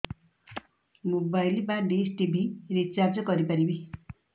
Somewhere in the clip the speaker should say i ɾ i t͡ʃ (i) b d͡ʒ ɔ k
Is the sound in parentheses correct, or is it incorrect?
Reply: incorrect